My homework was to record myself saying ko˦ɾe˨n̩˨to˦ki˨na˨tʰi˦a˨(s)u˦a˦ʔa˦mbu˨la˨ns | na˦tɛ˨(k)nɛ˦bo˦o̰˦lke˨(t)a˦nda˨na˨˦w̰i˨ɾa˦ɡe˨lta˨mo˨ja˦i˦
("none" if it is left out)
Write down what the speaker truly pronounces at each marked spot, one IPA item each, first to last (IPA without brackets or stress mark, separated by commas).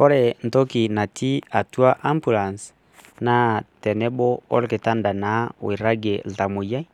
t, none, t